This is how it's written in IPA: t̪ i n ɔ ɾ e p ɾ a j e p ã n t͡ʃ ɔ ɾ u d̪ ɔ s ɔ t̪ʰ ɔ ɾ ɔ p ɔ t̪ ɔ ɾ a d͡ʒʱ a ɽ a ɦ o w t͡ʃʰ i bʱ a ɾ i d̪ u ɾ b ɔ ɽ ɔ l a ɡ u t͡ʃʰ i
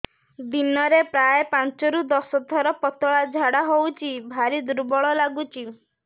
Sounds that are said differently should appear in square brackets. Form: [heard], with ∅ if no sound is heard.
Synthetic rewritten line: [d̪] i n ɔ ɾ e p ɾ a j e p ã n t͡ʃ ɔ ɾ u d̪ ɔ s ɔ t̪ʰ ɔ ɾ ɔ p ɔ t̪ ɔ [ɭ] a d͡ʒʱ a ɽ a ɦ o w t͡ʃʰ i bʱ a ɾ i d̪ u ɾ b ɔ [ɭ] ɔ l a ɡ u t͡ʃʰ i